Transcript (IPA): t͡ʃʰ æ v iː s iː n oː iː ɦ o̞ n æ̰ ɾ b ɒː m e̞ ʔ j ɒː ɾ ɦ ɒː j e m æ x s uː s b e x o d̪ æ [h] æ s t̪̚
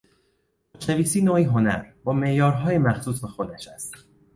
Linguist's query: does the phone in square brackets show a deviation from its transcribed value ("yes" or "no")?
yes